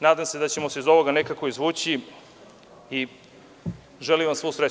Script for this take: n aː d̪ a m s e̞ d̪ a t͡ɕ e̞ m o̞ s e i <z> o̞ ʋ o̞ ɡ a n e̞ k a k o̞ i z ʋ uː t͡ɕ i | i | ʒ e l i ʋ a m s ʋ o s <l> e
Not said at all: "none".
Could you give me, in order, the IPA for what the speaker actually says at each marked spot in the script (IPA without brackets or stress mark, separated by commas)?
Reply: z, ɾ